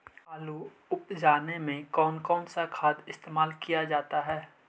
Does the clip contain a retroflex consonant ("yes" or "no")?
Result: no